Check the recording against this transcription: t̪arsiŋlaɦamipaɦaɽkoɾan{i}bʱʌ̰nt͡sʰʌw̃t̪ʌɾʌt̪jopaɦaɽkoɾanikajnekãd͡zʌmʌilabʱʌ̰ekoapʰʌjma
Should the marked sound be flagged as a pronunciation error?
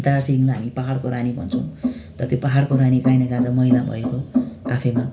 no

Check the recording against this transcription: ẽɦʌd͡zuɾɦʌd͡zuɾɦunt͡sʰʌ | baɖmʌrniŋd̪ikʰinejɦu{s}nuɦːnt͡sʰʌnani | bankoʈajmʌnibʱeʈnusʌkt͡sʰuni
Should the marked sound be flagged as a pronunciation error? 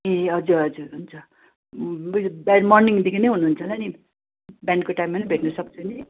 yes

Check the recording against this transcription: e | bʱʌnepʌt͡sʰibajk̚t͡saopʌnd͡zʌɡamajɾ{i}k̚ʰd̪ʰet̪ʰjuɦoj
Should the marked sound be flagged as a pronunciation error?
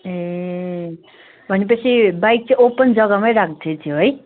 yes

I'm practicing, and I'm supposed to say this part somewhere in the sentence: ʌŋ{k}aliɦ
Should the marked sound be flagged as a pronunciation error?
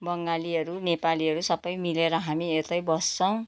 yes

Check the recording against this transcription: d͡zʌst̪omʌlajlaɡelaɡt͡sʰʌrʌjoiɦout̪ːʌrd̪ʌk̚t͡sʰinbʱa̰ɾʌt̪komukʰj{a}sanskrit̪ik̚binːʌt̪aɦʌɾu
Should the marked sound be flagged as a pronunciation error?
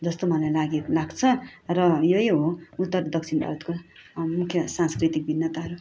yes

